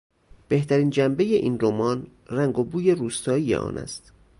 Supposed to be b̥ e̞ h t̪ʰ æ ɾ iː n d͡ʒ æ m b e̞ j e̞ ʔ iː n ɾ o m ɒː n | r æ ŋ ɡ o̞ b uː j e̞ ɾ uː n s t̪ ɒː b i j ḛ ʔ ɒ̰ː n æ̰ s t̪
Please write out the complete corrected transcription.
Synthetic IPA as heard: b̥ e̞ h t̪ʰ æ ɾ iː n d͡ʒ æ m b e̞ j e̞ ʔ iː n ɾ o m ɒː n | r æ ŋ ɡ o̞ b uː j e̞ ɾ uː s t̪ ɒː i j ḛ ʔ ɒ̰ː n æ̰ s t̪